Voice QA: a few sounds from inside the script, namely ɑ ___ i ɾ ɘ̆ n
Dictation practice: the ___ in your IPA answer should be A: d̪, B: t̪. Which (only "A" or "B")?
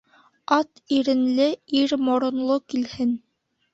B